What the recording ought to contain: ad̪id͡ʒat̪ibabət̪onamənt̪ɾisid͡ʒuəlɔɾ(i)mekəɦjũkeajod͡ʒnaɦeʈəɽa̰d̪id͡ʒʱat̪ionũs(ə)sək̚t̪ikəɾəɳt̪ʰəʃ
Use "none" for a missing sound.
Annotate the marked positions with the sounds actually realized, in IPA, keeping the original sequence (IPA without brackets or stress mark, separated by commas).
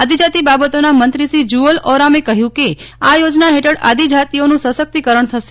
a, ə